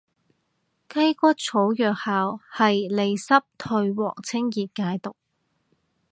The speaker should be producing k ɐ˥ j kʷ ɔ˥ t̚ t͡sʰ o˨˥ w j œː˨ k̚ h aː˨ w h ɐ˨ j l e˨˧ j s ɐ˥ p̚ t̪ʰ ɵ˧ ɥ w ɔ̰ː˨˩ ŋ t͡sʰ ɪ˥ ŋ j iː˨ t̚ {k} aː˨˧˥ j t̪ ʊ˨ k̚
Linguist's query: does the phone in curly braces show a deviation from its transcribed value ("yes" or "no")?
no